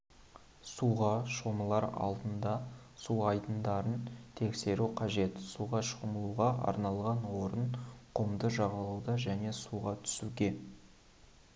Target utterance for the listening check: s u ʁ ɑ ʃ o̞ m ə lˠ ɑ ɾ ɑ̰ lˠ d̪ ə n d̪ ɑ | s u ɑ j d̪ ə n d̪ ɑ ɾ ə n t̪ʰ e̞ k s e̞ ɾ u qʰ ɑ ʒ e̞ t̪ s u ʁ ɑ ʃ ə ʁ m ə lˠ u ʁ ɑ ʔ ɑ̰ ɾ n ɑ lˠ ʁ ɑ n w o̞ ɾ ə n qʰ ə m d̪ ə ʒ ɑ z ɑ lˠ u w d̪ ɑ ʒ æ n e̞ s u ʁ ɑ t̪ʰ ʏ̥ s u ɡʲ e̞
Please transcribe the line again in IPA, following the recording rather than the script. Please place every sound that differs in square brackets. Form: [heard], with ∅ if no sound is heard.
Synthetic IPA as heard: s u ʁ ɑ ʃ o̞ m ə lˠ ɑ ɾ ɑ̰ lˠ d̪ ə n d̪ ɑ | s u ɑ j d̪ ə n d̪ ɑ ɾ ə n t̪ʰ e̞ k s e̞ ɾ u qʰ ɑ ʒ e̞ t̪ s u ʁ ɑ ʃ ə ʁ m ə lˠ u ʁ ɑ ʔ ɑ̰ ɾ n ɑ lˠ ʁ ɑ n w o̞ ɾ ə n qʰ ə m d̪ ə ʒ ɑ [ʁ] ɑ lˠ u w d̪ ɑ ʒ æ n e̞ s u ʁ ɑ t̪ʰ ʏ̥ s u ɡʲ e̞